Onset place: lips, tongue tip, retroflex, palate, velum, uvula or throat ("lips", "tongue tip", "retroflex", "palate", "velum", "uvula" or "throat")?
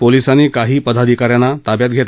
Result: lips